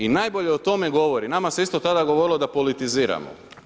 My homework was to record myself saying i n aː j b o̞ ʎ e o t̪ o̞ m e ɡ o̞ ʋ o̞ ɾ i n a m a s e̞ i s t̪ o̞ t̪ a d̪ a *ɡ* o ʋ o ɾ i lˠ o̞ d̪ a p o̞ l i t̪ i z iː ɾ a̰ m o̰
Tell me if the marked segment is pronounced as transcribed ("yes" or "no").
yes